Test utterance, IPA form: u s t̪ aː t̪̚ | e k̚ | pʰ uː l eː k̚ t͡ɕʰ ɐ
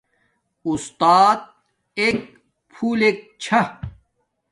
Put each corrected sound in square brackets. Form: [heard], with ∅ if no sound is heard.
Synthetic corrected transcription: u s t̪ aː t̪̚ | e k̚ | pʰ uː l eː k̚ t͡ɕʰ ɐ